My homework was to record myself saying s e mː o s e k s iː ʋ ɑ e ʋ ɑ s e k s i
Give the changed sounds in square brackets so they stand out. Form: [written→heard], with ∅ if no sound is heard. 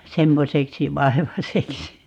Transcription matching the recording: s e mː o s e k s [iː→i] ʋ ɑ e ʋ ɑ s e k s i